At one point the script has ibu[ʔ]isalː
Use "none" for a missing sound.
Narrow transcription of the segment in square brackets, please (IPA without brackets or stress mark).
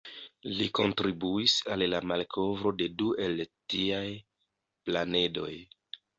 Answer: none